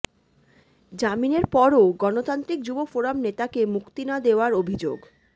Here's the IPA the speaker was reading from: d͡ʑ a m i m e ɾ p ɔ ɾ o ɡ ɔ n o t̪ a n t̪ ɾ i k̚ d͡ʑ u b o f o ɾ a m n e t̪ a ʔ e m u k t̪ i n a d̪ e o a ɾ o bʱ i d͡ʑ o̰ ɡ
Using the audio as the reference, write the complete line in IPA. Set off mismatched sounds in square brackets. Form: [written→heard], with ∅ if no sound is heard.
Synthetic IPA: d͡ʑ a m i [m→n] e ɾ p ɔ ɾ o ɡ ɔ n o t̪ a n t̪ ɾ i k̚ d͡ʑ u b o f o ɾ a m n e t̪ a [ʔ→k] e m u k t̪ i n a d̪ e o a ɾ o bʱ i d͡ʑ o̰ ɡ